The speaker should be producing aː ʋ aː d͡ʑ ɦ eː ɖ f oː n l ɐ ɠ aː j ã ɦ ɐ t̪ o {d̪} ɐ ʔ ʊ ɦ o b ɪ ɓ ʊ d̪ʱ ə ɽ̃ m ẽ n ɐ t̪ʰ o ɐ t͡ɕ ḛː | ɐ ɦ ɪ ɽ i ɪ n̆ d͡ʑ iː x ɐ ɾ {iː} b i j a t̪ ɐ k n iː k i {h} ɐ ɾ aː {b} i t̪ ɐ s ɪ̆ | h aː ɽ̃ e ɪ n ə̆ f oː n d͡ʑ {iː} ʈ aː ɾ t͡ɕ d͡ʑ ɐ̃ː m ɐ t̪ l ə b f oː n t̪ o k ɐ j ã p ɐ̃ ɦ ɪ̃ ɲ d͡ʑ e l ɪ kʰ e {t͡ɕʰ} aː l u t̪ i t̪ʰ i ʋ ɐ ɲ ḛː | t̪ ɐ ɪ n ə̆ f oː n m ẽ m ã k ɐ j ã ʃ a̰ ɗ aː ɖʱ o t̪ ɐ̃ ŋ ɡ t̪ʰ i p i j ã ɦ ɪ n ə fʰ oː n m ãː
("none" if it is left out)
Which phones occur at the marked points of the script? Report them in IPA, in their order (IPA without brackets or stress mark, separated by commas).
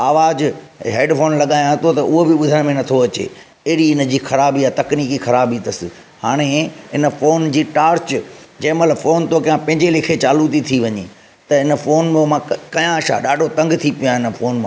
t̪, aː, x, b, iː, t͡ɕ